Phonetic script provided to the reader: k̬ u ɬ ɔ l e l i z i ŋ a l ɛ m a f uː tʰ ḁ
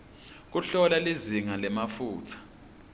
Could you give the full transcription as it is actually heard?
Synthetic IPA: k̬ u ɬ ɔ l a l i z i ŋ a l ɛ m a f uː tʰ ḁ